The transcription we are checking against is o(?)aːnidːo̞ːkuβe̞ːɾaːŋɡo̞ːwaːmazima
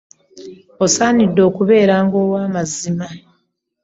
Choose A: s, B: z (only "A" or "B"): A